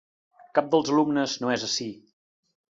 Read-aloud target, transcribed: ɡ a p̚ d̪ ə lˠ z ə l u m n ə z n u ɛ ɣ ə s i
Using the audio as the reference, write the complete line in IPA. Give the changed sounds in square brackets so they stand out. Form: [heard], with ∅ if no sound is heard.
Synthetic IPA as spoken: [k] a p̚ d̪ ə lˠ z ə l u m n ə z n [o] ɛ [z] ə s i